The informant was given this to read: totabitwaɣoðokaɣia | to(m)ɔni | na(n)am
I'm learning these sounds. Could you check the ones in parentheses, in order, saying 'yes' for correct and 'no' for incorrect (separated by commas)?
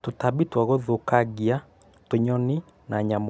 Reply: no, no